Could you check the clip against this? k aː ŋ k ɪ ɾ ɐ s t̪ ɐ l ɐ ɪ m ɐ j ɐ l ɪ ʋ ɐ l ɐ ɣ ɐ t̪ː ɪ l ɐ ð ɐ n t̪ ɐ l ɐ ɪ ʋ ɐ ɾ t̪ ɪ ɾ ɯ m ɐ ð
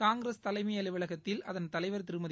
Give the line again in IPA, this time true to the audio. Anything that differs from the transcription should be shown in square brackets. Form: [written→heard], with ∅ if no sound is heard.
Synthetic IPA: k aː ŋ [k→ɡ] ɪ ɾ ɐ s t̪ ɐ l ɐ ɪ m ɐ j ɐ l ɪ ʋ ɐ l ɐ ɣ ɐ t̪ː ɪ l ɐ ð ɐ n t̪ ɐ l ɐ ɪ ʋ ɐ ɾ t̪ ɪ ɾ ɯ m ɐ ð